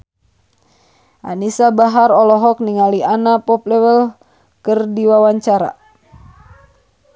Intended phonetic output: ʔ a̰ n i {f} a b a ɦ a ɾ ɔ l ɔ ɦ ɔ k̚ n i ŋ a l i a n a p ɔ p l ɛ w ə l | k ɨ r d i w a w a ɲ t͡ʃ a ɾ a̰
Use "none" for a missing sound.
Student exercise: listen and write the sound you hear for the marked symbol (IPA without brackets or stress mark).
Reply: s